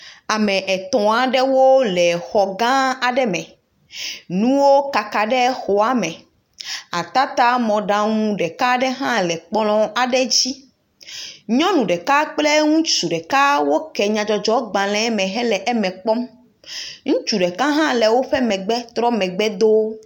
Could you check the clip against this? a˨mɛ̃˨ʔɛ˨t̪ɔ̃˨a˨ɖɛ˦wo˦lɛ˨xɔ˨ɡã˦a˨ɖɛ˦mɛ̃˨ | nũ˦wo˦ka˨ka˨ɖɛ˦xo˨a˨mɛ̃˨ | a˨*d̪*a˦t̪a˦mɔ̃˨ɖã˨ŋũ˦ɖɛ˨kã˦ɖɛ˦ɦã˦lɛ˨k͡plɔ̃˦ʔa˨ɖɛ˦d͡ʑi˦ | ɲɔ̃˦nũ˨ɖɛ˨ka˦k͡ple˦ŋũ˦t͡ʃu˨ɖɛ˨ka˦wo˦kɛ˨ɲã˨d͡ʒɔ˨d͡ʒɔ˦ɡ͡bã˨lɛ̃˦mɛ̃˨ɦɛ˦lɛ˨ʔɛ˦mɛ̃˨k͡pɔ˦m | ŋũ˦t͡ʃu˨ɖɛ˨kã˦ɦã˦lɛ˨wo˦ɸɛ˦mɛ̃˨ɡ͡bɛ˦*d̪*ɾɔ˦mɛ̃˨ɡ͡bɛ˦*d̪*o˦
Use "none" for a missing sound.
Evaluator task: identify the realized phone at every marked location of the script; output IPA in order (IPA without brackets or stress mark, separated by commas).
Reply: t̪, t̪, d̪